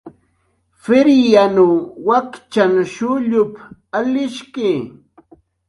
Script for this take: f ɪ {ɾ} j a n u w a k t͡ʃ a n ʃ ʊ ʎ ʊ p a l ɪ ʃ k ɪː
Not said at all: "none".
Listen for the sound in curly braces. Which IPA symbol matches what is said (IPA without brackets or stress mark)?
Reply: ɾ